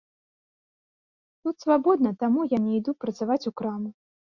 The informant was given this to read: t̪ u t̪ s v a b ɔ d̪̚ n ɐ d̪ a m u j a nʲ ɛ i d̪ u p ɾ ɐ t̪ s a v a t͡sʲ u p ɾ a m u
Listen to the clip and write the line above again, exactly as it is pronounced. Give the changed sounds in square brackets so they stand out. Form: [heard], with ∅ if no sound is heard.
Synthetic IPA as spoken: t̪ u t̪ s v a b ɔ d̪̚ n ɐ [t̪] a m u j a nʲ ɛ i d̪ u p ɾ ɐ t̪ s a v a t͡sʲ u [k] ɾ a m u